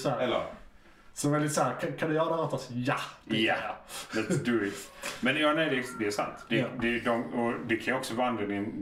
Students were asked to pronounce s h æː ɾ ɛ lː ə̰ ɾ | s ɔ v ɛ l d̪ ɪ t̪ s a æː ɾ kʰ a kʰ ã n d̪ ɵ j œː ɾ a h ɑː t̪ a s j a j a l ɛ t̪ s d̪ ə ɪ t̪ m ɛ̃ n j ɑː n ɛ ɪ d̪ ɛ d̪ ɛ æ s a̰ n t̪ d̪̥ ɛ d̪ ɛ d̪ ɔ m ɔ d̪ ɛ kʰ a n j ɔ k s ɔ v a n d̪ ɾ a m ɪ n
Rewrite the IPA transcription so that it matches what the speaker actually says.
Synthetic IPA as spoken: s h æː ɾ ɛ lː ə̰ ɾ | s ɔ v ɛ l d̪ ɪ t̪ s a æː ɾ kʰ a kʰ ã n d̪ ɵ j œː ɾ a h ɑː t̪ a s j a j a l ɛ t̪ s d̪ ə ɪ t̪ m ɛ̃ n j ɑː n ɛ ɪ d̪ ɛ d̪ ɛ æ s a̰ n t̪ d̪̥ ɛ d̪ ɛ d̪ ɔ m ɔ d̪ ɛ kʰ a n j ɔ k s ɔ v a n d̪ ɾ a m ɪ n